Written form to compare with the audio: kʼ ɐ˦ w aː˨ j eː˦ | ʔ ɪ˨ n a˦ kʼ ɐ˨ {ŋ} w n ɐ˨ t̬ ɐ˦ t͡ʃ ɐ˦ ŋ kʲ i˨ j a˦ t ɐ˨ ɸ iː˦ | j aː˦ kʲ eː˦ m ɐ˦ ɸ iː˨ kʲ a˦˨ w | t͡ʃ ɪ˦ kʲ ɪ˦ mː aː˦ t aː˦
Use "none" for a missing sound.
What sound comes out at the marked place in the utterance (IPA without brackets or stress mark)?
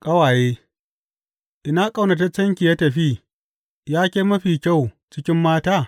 none